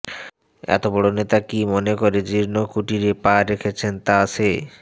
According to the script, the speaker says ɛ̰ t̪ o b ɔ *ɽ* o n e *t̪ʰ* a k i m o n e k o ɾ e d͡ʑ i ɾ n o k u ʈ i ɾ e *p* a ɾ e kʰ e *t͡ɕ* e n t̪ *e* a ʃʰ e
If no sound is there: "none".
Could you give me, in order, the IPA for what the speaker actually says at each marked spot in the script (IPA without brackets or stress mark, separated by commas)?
ɽ, t̪, p, t͡ɕʰ, a